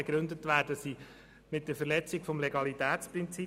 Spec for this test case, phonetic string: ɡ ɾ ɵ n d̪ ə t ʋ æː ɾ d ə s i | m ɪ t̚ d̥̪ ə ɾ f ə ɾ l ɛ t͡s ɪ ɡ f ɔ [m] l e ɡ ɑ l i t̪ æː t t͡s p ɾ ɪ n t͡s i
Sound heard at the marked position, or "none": m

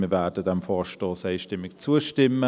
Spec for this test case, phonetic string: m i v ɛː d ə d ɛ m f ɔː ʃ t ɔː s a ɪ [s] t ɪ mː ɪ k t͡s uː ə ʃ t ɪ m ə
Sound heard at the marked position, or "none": ʃ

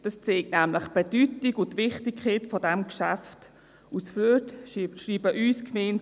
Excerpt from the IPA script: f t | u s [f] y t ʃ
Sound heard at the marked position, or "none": f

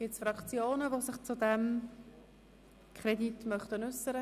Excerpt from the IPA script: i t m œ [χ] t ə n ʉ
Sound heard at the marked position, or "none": χ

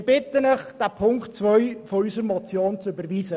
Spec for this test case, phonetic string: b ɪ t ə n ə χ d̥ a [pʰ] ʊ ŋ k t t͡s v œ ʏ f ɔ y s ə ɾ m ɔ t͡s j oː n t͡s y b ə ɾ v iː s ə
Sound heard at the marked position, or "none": pʰ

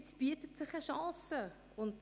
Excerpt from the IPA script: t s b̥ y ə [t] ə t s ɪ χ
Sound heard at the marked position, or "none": t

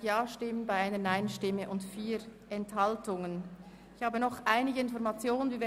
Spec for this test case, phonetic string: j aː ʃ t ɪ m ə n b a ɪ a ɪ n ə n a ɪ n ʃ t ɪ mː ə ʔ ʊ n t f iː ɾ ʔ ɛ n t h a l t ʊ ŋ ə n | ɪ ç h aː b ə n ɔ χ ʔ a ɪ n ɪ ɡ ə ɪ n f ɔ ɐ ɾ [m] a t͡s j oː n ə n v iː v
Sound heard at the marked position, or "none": m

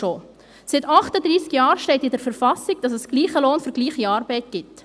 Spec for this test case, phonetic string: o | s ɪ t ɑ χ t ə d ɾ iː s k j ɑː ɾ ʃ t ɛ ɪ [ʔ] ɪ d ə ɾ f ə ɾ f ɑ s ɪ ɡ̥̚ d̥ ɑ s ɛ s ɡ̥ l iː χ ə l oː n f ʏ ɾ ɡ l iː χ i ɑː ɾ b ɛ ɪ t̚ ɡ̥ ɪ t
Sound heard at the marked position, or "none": t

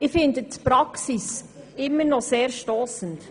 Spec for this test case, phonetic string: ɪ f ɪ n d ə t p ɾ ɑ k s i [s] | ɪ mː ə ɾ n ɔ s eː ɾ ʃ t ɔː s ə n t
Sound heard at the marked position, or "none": s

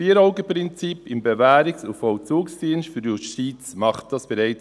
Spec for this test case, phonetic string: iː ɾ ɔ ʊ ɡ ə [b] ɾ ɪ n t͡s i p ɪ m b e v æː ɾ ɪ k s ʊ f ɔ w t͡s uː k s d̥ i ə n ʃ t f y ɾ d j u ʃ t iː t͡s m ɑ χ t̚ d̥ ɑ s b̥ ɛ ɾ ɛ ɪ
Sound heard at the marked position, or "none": p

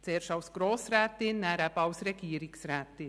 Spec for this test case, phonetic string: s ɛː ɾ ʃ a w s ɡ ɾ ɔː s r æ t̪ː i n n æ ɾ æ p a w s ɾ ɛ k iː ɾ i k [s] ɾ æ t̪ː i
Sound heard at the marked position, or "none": s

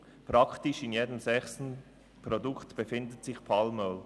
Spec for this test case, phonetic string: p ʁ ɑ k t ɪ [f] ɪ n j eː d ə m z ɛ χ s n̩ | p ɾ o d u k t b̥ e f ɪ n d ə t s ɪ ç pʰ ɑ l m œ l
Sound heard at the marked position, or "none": ʃ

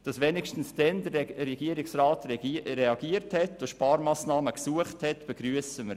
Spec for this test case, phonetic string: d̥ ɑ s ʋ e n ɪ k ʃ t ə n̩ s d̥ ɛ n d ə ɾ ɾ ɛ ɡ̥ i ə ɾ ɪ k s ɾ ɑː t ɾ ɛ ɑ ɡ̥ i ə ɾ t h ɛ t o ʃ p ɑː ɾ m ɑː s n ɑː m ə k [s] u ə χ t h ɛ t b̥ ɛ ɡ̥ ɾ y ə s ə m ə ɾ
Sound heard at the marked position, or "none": s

